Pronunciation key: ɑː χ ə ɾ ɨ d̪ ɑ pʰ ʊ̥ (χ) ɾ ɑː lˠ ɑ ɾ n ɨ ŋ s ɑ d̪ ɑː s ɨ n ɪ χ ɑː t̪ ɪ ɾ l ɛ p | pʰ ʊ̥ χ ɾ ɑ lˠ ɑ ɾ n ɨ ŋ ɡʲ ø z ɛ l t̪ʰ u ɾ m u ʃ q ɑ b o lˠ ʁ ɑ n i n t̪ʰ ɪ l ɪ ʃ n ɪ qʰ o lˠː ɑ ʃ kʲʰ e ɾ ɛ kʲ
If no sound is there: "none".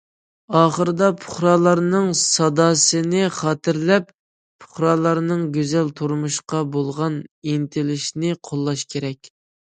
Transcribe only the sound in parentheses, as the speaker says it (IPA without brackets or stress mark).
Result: χ